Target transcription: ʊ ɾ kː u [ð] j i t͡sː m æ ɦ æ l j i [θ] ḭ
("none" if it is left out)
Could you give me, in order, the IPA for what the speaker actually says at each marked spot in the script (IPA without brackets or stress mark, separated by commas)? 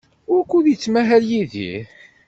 ð, ð